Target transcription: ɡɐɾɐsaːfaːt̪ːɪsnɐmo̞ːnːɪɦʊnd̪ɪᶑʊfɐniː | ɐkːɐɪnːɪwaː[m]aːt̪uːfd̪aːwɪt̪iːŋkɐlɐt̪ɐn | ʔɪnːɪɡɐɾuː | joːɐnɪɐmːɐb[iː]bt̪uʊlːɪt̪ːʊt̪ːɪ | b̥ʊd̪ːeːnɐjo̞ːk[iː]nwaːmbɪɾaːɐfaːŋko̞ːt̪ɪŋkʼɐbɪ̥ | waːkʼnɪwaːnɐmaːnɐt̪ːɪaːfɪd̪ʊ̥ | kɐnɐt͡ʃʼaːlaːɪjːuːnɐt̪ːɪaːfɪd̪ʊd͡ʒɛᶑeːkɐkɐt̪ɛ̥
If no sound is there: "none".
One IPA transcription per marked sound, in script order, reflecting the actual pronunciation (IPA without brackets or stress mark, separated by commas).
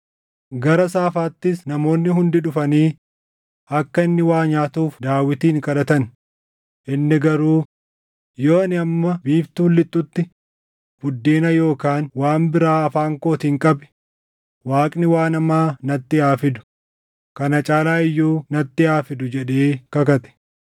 ɲ, iː, aː